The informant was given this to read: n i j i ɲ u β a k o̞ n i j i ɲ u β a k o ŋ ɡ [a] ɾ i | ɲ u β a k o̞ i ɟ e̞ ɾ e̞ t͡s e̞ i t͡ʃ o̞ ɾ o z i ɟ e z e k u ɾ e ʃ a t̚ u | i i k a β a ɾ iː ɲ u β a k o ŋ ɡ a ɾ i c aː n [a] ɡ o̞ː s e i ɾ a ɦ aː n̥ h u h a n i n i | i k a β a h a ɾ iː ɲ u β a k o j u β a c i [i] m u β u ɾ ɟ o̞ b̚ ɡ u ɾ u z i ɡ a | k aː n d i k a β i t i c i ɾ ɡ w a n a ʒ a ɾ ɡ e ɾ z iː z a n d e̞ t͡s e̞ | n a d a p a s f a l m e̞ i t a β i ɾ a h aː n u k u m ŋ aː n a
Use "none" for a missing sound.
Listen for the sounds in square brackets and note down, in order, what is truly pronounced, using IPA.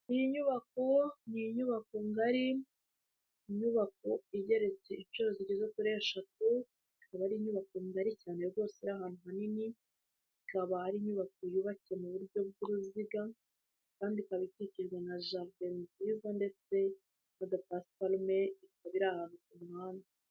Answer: a, e, e

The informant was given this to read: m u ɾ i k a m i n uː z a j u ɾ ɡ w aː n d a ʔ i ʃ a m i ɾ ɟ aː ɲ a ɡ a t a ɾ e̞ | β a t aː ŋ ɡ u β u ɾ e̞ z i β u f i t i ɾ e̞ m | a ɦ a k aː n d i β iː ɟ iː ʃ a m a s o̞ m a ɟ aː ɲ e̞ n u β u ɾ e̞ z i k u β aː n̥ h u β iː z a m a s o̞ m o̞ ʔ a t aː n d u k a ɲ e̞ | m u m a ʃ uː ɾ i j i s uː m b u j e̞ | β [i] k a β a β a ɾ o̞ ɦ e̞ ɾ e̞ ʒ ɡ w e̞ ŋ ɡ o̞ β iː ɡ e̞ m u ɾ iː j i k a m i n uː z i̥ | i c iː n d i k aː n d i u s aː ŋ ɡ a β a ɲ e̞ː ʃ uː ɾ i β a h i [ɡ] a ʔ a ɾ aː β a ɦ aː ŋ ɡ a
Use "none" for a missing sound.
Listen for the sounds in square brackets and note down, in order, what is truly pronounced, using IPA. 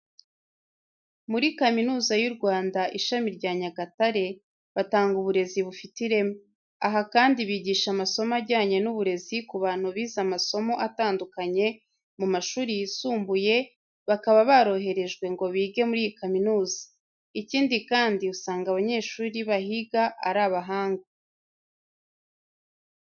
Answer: a, ɡ

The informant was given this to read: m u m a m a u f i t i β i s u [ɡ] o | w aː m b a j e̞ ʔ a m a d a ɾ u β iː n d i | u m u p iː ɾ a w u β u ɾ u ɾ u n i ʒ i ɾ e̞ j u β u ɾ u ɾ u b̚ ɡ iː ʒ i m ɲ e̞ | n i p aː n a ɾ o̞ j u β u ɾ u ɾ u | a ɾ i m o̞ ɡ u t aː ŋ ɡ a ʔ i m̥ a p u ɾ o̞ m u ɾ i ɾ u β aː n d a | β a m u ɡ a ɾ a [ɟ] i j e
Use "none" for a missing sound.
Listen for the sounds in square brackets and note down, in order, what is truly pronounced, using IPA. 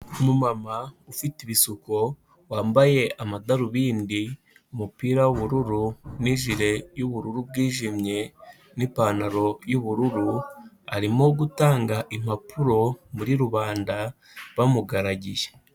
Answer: k, ɟ

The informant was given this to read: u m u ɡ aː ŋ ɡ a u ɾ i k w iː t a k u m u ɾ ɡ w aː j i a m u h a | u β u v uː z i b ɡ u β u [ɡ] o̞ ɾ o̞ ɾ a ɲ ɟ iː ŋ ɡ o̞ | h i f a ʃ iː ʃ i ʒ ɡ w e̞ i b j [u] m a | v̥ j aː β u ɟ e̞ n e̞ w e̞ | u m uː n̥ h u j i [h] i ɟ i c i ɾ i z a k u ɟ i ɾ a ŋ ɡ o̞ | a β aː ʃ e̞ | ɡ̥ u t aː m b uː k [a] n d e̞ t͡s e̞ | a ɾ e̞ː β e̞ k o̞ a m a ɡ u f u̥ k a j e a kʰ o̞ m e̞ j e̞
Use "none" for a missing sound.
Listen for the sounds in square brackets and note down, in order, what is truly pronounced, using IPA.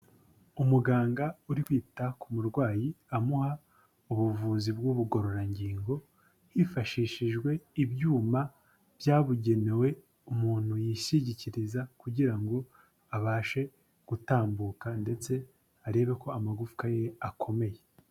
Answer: ɡ, uː, ʃ, a

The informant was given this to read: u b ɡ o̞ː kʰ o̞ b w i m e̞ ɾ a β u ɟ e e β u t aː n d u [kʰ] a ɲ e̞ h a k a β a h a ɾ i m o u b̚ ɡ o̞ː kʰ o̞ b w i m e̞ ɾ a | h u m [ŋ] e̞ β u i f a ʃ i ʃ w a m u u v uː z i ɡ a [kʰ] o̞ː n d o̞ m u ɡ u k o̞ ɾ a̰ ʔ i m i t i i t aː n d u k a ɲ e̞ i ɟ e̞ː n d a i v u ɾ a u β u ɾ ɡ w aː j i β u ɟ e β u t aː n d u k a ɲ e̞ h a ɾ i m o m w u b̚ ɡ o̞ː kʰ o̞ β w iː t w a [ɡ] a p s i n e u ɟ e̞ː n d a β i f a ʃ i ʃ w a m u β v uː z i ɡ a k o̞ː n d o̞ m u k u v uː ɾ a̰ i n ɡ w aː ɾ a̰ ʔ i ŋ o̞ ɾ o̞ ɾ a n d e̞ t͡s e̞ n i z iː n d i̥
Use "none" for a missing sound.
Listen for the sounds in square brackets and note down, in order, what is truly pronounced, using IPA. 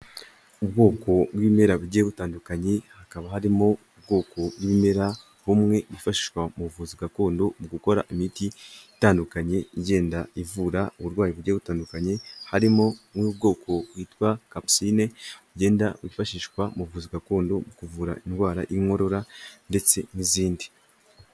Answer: k, ŋ, k, k

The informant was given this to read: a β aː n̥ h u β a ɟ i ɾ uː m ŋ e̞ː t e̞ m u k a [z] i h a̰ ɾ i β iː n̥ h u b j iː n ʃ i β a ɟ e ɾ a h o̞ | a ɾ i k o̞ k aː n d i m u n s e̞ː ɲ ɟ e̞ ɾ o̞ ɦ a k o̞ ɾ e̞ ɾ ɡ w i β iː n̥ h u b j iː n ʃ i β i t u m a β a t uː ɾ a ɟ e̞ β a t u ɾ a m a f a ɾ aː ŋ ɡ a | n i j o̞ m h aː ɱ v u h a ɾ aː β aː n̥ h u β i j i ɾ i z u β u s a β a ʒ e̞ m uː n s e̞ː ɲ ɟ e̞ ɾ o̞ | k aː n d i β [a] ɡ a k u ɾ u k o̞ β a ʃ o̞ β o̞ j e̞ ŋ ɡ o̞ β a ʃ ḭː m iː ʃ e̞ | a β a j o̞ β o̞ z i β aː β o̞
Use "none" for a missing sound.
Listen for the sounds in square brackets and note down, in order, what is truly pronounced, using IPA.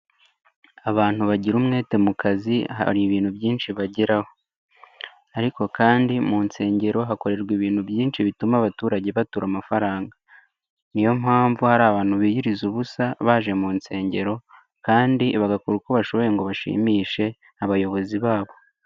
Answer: z, a

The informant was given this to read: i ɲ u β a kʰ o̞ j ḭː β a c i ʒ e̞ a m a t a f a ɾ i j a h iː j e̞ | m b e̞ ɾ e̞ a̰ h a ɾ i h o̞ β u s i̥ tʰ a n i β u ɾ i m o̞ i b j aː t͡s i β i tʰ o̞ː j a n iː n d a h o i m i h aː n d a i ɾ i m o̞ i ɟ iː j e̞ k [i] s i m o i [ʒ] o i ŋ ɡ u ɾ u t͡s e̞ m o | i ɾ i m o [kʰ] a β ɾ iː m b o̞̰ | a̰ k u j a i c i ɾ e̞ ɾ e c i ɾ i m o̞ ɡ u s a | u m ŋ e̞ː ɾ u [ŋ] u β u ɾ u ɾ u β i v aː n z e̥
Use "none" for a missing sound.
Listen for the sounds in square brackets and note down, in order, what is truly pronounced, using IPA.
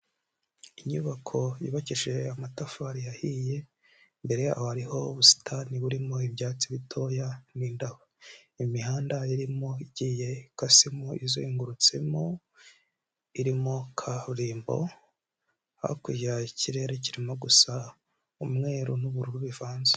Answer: a, z, kʰ, n

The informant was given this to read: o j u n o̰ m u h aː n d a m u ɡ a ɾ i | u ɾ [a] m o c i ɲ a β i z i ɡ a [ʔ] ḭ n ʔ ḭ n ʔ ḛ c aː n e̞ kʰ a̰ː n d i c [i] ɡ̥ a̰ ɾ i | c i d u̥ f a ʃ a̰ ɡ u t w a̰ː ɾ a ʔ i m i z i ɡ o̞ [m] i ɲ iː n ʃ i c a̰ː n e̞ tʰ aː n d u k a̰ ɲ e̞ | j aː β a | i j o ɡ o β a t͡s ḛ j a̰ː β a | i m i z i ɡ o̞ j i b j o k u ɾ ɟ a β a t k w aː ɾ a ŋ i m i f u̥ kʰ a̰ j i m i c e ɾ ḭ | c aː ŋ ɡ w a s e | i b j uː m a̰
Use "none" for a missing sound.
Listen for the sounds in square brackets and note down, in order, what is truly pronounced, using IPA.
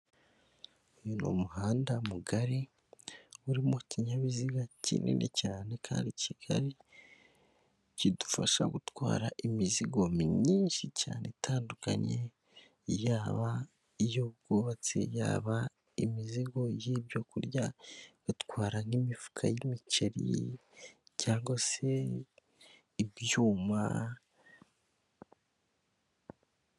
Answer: i, c, i, m

